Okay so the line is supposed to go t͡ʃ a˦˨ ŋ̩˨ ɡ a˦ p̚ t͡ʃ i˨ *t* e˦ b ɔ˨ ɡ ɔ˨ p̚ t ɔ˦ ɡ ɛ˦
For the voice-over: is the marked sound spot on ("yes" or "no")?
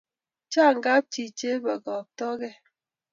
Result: no